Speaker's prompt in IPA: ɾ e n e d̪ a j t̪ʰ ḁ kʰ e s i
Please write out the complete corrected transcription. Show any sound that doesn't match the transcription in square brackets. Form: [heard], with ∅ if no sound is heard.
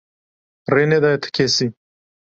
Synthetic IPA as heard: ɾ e n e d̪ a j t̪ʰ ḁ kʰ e s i